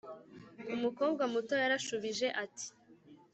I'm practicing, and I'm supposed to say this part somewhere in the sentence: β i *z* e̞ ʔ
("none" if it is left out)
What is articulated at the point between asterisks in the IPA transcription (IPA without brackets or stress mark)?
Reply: ʒ